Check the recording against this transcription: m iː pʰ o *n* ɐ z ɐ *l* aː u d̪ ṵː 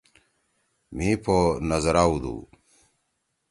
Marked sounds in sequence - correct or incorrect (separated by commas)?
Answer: correct, incorrect